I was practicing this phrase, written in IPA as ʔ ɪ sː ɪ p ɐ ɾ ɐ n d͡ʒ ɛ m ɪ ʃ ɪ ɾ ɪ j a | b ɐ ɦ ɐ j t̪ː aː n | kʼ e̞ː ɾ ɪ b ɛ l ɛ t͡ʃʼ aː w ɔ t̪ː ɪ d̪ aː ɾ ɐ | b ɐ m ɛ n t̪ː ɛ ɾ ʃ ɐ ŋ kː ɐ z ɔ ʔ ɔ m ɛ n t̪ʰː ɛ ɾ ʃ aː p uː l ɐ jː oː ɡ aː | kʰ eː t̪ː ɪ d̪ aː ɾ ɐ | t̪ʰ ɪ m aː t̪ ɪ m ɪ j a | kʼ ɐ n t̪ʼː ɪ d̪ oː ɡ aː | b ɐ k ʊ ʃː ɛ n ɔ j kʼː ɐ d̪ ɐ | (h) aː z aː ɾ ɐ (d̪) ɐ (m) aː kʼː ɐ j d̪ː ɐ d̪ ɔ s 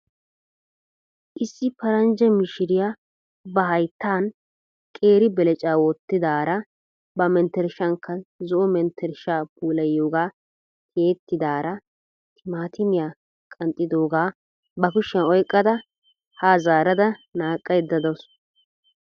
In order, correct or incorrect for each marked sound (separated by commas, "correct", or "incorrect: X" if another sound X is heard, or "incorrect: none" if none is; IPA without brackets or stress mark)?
correct, correct, incorrect: n